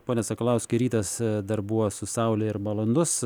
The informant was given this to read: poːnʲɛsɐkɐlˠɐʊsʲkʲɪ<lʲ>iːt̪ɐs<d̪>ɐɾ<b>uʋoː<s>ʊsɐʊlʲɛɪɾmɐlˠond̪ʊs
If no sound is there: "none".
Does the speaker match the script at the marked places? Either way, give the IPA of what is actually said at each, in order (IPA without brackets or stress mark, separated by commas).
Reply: ɾʲ, d̪, b, s